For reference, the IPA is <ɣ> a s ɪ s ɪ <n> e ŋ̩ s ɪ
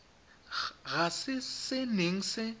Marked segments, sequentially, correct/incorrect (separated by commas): correct, correct